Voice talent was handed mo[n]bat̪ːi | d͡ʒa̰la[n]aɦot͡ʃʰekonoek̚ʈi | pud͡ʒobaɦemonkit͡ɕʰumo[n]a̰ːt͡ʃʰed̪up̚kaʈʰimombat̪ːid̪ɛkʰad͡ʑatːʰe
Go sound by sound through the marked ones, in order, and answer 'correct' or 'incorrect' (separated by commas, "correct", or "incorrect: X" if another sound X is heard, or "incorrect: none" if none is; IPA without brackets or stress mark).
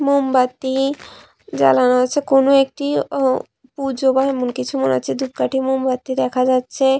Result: incorrect: m, correct, correct